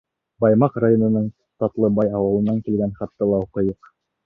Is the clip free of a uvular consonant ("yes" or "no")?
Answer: no